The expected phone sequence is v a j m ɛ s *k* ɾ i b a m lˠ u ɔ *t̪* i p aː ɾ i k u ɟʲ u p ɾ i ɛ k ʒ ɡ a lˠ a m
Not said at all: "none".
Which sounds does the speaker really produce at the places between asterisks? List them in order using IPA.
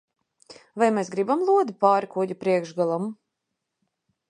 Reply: ɡ, d̪

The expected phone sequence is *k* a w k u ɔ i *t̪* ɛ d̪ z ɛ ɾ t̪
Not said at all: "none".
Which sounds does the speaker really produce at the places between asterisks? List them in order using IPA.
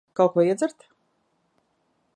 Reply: k, none

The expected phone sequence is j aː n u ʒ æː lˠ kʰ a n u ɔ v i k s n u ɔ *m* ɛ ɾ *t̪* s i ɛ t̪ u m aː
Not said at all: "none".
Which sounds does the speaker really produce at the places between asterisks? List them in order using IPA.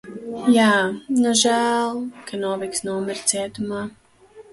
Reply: m, t̪

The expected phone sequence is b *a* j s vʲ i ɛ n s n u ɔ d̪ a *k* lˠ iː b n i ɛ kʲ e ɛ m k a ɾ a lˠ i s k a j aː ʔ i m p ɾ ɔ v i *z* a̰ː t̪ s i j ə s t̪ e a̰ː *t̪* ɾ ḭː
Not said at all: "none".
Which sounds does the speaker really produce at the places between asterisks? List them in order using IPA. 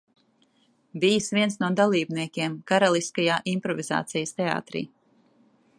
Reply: i, none, z, t̪

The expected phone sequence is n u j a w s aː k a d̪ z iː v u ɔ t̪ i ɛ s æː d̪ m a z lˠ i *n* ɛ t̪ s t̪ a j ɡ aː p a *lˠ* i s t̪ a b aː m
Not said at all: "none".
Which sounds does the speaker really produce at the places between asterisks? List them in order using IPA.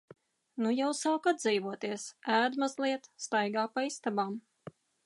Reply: none, none

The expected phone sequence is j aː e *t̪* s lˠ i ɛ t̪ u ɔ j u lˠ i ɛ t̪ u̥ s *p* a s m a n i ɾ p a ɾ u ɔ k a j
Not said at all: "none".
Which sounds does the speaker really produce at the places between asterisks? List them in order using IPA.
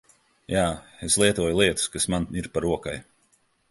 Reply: none, k

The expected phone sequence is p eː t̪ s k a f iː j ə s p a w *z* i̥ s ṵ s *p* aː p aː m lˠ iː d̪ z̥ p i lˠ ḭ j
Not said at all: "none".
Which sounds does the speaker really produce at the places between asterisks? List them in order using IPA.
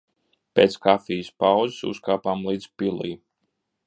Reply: z, k

